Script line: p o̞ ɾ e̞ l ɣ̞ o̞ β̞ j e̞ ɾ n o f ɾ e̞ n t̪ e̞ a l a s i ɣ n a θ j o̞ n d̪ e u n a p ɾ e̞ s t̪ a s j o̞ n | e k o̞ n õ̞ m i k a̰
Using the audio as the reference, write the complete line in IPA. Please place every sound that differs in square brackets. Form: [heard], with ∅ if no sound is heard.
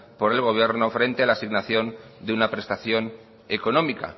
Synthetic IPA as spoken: p o̞ ɾ e̞ l ɣ̞ o̞ β̞ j e̞ ɾ n o f ɾ e̞ n t̪ e̞ a l a s i ɣ n a θ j o̞ n d̪ e u n a p ɾ e̞ s t̪ a [θ] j o̞ n | e k o̞ n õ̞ m i k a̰